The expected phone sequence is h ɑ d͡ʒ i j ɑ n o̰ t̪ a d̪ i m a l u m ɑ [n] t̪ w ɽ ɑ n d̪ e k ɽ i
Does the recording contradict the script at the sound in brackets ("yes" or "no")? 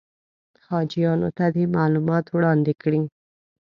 yes